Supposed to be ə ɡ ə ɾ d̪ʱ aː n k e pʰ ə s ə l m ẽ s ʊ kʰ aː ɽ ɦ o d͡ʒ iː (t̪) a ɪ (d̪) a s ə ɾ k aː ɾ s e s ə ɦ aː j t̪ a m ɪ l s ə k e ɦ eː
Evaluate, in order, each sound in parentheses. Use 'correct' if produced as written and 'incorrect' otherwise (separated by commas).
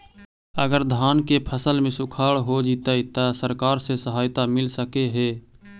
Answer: correct, incorrect